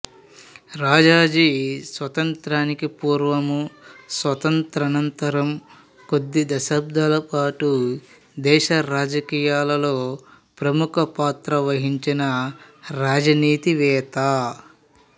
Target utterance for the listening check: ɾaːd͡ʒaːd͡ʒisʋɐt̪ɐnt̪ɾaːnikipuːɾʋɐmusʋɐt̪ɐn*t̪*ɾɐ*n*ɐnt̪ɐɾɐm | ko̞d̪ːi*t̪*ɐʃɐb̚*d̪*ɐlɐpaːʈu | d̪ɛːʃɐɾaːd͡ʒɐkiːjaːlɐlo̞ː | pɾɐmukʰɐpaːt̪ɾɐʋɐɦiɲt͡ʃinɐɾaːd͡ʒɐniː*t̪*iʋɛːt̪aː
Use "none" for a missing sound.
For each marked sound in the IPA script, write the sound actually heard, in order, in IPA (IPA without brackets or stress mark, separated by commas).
t̪, n, d̪, d̪, t̪